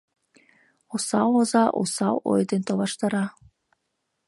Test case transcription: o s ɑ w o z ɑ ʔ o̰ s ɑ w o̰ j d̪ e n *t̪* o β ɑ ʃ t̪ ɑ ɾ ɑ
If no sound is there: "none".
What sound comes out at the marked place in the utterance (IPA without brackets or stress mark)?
t̪